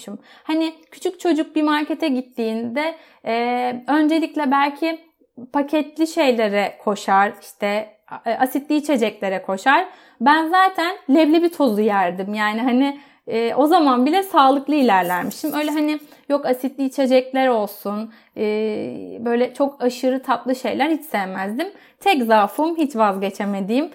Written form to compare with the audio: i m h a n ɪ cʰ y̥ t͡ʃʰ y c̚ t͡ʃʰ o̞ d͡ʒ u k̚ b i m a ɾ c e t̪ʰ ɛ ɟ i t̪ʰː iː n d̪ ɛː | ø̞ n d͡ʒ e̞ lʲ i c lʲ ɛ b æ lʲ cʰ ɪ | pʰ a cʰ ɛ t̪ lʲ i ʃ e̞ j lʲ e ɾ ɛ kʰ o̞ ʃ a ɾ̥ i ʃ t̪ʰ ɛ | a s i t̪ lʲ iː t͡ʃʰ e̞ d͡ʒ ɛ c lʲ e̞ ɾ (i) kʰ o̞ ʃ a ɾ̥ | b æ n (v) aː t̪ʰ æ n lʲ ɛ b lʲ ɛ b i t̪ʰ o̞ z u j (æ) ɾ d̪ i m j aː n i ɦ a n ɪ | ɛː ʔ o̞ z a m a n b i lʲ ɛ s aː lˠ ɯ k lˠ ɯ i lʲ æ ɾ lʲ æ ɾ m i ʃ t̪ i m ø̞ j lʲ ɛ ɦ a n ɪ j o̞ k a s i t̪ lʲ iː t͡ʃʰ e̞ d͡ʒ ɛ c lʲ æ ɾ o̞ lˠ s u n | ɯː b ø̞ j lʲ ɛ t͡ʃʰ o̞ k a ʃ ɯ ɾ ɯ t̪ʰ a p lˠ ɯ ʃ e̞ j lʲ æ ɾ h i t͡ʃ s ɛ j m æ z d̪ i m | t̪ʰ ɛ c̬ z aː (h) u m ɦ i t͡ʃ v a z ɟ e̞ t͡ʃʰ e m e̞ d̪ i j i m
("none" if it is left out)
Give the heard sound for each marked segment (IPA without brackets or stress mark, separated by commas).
ɛ, z, æ, f